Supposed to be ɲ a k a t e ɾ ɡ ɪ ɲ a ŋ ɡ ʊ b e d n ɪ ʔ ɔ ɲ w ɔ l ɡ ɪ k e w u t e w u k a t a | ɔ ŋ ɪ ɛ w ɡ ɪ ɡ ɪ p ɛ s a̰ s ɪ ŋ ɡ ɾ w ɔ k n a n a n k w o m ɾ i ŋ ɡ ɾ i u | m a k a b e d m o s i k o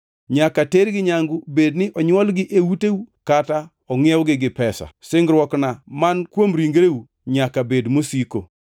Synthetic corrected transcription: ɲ a k a t e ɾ ɡ ɪ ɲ a ŋ ɡ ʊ b e d n ɪ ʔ ɔ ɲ w ɔ l ɡ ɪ ʔ e w u t e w u k a t a | ɔ ŋ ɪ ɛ w ɡ ɪ ɡ ɪ p ɛ s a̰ s ɪ ŋ ɡ ɾ w ɔ k n a m a n k w o m ɾ i ŋ ɡ ɾ e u | ɲ a k a b e d m o s i k o

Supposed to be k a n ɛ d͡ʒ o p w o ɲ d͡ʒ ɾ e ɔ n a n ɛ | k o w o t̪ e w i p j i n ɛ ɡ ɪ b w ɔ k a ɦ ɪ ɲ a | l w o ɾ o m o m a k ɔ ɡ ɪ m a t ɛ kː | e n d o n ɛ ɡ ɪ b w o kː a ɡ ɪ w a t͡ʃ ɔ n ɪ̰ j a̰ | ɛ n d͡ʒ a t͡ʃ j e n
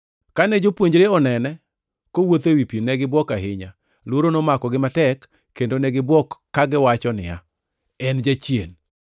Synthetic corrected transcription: k a n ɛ d͡ʒ o p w o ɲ d͡ʒ ɾ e ɔ n ɛ n ɛ | k o w o t̪ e w i p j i n ɛ ɡ ɪ b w ɔ k a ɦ ɪ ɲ a | l w o ɾ o n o m a k ɔ ɡ ɪ m a t ɛ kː | e n d o n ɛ ɡ ɪ b w ɔ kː a ɡ ɪ w a t͡ʃ ɔ n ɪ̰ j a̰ | ɛ n d͡ʒ a t͡ʃ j e n

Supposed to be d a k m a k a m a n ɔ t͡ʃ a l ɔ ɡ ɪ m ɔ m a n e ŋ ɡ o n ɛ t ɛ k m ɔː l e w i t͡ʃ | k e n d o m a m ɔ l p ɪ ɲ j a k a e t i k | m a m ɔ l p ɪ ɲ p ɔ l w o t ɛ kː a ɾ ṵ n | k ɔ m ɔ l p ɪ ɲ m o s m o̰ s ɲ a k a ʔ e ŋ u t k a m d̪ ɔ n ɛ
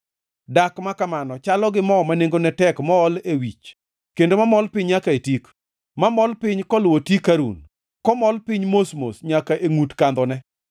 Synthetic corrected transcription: d a k m a k a m a n ɔ t͡ʃ a l ɔ ɡ ɪ m ɔ m a n e ŋ ɡ o n ɛ t ɛ k m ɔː l e w i t͡ʃ | k e n d o m a m ɔ l p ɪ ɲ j a k a e t i k | m a m ɔ l p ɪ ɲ k ɔ l w o t i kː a ɾ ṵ n | k ɔ m ɔ l p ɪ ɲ m o s m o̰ s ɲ a k a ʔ e ŋ u t k a n d̪ ɔ n ɛ

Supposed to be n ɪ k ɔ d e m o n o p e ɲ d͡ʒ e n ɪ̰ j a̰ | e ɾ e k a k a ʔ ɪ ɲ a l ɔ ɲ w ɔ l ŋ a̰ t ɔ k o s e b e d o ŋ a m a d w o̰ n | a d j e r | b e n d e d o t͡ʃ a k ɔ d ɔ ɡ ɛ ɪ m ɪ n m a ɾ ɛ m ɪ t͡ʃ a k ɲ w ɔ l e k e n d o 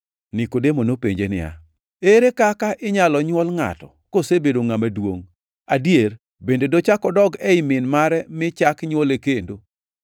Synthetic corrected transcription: n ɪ k o d e m o n o p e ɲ d͡ʒ e n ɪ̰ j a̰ | e ɾ e k a k a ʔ ɪ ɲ a l ɔ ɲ w ɔ l ŋ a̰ t ɔ k o s e b e d o ŋ a m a d w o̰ ŋ | a d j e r | b e n d e d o t͡ʃ a k ɔ d ɔ ɡ ɛ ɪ m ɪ n m a ɾ ɛ m ɪ t͡ʃ a k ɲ w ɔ l e k e n d o

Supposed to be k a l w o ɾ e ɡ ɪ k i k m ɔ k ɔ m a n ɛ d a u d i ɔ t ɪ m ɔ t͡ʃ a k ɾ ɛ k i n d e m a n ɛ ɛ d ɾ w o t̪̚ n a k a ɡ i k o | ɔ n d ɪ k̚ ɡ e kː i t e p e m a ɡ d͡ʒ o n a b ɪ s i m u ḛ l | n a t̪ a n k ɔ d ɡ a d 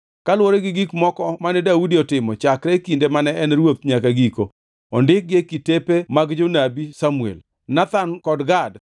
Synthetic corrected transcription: k a l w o ɾ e ɡ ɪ ɡ i k m ɔ k ɔ m a n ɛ d a u d i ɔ t ɪ m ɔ t͡ʃ a k ɾ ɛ k i n d e m a n ɛ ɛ n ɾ w o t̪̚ ɲ a k a ɡ i k o | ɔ n d ɪ k̚ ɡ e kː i t e p e m a ɡ d͡ʒ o n a b i s a m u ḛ l | n a t̪ a n k ɔ d ɡ a d

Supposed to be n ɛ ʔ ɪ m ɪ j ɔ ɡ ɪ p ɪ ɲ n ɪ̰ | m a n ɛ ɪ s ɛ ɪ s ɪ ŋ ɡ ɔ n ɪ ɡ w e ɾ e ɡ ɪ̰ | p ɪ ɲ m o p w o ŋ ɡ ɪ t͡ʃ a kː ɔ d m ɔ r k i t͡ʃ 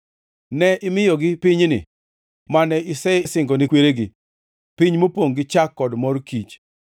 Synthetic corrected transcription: n ɛ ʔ ɪ m ɪ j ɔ ɡ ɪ p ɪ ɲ n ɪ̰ | m a n ɛ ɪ s ɛ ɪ s ɪ ŋ ɡ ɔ n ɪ k w e ɾ e ɡ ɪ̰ | p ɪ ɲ m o p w o ŋ ɡ ɪ t͡ʃ a kː ɔ d m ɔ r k i t͡ʃ

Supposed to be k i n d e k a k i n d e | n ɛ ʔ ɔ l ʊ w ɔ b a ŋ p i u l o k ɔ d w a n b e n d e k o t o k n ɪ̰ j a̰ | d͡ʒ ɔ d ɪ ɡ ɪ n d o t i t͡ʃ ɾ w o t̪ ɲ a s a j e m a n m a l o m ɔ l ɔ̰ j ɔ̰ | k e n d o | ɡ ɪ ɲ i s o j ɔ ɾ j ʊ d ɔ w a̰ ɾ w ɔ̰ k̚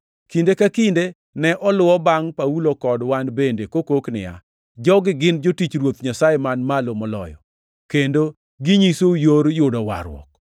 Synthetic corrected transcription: k i n d e k a k i n d e | n ɛ ʔ ɔ l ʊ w ɔ b a ŋ p a u l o k ɔ d w a n b e n d e k o k o k n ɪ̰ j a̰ | d͡ʒ ɔ ɡ ɪ ɡ ɪ n d͡ʒ o t i t͡ʃ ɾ w o t̪ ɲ a s a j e m a n m a l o m ɔ l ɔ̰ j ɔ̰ | k e n d o | ɡ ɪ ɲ i s o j o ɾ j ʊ d ɔ w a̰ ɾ w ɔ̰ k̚

